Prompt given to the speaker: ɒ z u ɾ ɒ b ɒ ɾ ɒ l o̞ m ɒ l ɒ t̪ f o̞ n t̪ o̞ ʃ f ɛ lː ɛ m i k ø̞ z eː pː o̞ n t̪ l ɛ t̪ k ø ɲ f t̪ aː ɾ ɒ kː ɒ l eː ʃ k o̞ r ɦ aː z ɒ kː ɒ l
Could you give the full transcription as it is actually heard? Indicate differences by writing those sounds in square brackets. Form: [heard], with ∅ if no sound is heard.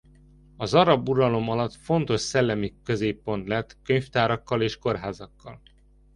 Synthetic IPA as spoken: ɒ z [ɒ] ɾ ɒ b [u] ɾ ɒ l o̞ m ɒ l ɒ t̪ f o̞ n t̪ o̞ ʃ [s] ɛ lː ɛ m i k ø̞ z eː pː o̞ n t̪ l ɛ t̪ k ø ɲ f t̪ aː ɾ ɒ kː ɒ l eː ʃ k o̞ r ɦ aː z ɒ kː ɒ l